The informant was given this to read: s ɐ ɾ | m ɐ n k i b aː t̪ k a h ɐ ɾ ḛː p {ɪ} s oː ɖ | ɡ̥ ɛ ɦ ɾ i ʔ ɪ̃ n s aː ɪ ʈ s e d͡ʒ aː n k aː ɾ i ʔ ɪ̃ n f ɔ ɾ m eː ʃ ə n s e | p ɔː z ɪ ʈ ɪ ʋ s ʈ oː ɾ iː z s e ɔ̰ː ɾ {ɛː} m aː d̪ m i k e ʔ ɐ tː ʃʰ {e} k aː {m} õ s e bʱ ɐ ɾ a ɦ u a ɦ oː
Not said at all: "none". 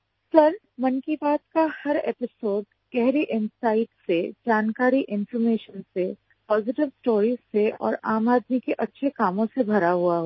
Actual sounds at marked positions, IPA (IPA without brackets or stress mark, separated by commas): ɪ, aː, e, m